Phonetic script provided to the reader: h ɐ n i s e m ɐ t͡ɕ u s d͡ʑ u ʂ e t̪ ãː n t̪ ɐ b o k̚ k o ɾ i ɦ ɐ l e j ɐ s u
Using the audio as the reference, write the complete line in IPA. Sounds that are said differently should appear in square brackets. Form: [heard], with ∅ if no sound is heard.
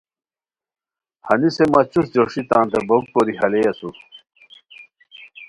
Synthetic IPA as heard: h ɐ n i s e m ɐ t͡ɕ u s d͡ʑ [o] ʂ [i] t̪ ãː n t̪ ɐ b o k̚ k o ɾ i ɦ ɐ l e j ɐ s u